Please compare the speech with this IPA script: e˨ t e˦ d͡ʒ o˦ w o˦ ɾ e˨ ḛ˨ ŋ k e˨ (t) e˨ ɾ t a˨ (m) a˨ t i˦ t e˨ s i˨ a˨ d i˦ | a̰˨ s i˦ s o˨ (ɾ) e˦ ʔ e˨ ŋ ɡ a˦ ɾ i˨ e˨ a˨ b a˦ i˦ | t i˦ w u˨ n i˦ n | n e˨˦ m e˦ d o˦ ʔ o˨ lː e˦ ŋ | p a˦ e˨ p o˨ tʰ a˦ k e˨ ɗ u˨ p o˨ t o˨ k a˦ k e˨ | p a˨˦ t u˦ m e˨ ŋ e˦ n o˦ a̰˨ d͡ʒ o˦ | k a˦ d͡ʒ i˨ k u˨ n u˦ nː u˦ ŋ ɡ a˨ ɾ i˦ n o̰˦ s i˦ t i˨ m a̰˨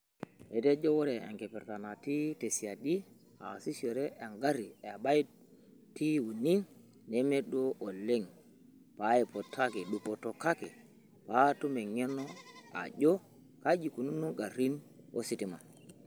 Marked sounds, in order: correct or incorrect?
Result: incorrect: p, incorrect: n, correct

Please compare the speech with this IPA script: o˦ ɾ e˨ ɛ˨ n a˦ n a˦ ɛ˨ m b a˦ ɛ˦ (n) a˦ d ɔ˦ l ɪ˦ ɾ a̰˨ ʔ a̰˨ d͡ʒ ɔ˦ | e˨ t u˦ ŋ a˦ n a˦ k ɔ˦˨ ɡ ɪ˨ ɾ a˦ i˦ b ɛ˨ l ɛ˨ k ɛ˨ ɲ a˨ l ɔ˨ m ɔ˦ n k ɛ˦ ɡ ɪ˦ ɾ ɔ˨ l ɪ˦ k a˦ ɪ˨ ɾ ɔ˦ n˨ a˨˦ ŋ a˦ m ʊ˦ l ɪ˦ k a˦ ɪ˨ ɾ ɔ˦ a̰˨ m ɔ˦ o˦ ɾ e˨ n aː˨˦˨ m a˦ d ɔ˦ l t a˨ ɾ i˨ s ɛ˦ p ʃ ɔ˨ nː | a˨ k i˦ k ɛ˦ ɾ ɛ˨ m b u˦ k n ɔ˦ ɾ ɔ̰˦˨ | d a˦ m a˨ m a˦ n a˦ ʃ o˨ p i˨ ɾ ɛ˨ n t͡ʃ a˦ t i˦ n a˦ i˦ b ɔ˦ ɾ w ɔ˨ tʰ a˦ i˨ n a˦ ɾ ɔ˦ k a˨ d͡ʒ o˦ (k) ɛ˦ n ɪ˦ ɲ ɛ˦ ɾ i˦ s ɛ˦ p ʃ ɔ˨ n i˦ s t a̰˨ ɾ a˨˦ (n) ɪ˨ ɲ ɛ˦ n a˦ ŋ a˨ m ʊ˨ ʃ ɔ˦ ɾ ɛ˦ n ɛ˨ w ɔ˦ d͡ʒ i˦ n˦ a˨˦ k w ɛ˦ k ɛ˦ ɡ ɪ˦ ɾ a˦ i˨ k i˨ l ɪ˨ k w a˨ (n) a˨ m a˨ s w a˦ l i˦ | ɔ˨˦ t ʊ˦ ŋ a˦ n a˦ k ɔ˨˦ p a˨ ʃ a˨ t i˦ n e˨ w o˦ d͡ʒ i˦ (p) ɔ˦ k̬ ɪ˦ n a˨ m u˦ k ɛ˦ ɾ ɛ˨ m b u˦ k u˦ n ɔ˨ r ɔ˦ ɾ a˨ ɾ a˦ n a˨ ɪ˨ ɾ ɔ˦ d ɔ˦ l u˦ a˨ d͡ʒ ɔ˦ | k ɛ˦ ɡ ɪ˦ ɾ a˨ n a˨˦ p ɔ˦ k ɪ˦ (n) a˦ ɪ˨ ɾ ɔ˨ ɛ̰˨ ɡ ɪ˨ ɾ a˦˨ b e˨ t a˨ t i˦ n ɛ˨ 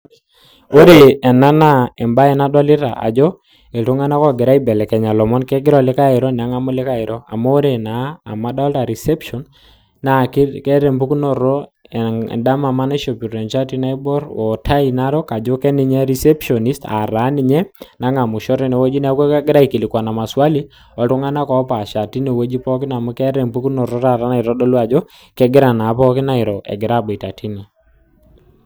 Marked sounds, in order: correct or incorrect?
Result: correct, correct, correct, correct, correct, correct

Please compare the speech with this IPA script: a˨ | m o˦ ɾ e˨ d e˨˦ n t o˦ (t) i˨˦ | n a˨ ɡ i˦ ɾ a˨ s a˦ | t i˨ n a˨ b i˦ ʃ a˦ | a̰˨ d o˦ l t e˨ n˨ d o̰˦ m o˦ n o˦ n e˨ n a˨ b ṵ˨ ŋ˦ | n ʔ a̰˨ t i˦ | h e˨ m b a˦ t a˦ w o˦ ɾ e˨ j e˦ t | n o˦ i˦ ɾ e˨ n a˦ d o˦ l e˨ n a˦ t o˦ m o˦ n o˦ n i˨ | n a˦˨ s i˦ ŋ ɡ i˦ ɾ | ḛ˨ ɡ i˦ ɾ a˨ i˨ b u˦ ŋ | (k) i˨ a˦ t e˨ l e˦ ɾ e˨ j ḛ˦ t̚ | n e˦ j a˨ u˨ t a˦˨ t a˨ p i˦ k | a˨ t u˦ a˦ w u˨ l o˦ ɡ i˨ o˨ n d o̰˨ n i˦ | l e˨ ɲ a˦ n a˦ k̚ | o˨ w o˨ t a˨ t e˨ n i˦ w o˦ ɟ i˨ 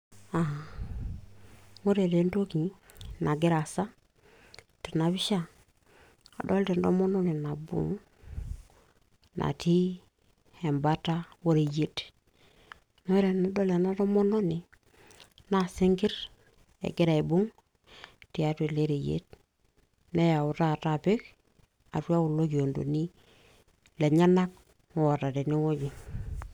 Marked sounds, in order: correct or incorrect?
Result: incorrect: k, incorrect: t

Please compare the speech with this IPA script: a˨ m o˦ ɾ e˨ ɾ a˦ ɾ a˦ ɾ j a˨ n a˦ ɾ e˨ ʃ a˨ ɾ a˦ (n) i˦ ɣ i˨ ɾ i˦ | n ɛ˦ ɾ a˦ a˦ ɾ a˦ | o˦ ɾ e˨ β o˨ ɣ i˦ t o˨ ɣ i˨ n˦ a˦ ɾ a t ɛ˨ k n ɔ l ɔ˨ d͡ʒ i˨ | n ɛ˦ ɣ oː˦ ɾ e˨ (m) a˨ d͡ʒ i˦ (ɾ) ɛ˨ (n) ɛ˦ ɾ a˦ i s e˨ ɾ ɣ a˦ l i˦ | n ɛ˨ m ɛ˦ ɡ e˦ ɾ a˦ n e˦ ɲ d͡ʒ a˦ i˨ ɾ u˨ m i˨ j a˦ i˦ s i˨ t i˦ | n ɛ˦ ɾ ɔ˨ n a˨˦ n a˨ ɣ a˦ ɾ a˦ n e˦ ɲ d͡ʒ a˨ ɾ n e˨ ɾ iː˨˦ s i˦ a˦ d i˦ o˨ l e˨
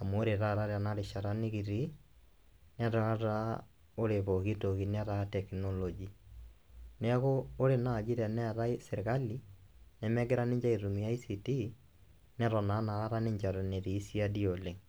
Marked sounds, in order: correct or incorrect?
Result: correct, incorrect: n, correct, correct

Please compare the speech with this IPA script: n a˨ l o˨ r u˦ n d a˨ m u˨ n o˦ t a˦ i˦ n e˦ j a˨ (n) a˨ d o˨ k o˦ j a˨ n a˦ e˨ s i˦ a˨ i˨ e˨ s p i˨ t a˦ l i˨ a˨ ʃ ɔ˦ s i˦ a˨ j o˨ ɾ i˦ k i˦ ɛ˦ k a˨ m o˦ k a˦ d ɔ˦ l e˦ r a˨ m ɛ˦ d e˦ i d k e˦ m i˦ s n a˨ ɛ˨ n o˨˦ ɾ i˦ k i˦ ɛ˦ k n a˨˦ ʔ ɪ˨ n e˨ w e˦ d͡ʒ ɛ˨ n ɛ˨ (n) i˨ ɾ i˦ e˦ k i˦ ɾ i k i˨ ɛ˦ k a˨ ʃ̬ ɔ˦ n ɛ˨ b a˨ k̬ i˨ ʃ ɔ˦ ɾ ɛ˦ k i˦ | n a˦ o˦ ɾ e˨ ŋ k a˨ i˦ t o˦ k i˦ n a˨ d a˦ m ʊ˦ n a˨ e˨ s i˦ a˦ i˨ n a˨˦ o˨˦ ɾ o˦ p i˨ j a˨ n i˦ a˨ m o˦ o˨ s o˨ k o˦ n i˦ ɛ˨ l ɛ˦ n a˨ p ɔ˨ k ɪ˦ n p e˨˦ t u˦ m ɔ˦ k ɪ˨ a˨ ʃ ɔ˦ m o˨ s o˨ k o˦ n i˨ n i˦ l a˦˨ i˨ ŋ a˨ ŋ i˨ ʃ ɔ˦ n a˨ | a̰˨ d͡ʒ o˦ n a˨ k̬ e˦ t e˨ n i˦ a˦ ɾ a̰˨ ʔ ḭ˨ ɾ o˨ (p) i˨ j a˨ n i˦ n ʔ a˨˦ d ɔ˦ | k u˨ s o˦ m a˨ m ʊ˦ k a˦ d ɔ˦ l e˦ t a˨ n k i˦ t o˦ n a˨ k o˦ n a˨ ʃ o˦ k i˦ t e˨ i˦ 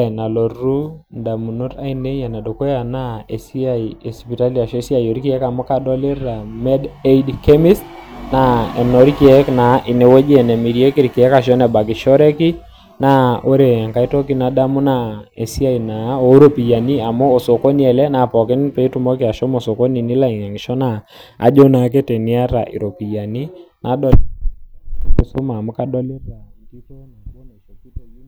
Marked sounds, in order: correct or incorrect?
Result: correct, incorrect: m, correct

